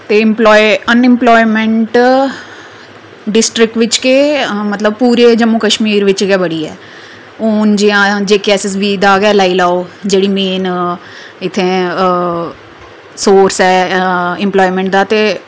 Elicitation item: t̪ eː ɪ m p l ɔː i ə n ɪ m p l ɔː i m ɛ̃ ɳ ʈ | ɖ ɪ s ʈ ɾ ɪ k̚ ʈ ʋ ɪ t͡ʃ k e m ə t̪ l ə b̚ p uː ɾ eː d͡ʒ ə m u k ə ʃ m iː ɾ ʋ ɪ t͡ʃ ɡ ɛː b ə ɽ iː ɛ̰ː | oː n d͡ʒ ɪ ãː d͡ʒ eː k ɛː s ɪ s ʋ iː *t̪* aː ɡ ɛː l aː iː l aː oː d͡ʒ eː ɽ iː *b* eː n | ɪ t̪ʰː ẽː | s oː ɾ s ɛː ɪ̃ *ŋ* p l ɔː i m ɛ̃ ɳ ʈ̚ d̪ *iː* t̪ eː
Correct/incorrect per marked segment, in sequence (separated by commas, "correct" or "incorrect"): incorrect, incorrect, incorrect, incorrect